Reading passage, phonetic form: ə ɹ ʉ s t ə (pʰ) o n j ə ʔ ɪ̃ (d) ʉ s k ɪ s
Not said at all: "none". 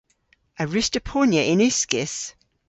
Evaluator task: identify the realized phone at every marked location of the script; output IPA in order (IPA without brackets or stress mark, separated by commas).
pʰ, n